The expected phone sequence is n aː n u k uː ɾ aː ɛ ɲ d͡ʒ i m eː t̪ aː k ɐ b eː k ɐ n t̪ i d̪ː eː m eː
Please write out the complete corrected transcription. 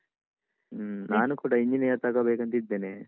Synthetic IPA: n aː n u k uː ɽ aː i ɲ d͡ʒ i n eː t̪ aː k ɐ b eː k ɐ n t̪ i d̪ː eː n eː